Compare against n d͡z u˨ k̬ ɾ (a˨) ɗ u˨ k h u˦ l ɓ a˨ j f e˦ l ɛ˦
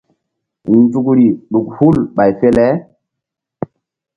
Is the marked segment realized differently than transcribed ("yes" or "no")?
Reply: yes